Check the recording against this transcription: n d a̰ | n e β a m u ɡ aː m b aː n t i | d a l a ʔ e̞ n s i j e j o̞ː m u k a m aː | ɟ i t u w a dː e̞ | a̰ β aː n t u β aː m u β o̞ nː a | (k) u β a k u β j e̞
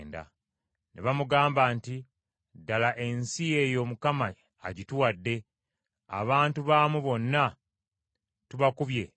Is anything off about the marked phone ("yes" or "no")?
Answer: yes